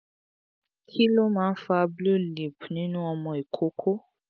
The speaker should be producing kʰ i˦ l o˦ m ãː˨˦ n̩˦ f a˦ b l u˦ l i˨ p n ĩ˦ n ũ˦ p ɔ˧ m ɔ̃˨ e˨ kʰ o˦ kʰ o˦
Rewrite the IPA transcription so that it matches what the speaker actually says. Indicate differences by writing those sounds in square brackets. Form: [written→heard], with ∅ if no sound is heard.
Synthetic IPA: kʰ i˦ l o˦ m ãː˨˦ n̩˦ f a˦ b l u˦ l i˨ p n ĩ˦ n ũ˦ [p→∅] ɔ˧ m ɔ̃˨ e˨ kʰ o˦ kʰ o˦